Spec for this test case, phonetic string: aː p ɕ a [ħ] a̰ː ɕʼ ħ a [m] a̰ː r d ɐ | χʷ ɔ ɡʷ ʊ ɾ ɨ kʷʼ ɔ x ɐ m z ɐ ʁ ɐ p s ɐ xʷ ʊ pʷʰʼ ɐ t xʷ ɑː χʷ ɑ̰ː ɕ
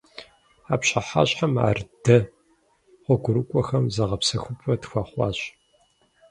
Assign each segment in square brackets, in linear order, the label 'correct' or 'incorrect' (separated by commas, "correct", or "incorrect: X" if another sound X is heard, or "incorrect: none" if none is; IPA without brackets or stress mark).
correct, correct